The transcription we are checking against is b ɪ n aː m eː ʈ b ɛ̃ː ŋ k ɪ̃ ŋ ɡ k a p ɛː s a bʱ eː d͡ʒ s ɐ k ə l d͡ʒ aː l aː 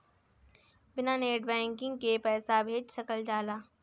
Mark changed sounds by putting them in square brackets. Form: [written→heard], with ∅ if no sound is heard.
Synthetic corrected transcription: b ɪ n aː [m→n] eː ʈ b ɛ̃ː ŋ k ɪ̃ ŋ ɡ k [a→e] p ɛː s a bʱ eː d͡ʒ s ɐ k ə l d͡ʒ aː l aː